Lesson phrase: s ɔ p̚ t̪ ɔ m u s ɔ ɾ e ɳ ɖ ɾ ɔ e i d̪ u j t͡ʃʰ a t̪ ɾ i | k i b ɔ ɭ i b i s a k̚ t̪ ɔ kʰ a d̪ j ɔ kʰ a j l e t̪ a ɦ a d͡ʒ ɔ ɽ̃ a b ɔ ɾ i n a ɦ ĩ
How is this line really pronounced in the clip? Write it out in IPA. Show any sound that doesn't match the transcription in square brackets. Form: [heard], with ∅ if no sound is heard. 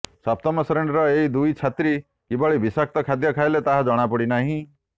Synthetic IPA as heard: s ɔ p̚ t̪ ɔ m [ɔ] s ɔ ɾ e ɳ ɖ ɾ ɔ e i d̪ u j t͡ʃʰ a t̪ ɾ i | k i b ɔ ɭ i b i s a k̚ t̪ ɔ kʰ a d̪ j ɔ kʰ a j l e t̪ a ɦ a d͡ʒ ɔ ɽ̃ a [p] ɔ [ɽ] i n a ɦ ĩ